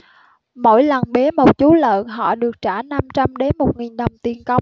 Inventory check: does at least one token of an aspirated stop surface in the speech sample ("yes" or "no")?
no